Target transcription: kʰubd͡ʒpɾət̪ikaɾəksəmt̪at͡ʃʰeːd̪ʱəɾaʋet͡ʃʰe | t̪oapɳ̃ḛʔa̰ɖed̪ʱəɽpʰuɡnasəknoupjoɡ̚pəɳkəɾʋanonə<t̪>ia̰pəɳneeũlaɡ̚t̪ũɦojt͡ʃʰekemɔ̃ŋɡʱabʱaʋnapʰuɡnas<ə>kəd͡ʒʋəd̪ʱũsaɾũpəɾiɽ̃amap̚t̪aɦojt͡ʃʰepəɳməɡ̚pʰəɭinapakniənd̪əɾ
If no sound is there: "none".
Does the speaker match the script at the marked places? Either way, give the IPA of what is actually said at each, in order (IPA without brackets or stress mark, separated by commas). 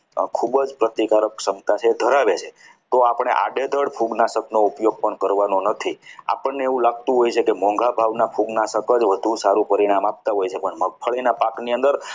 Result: t̪ʰ, ə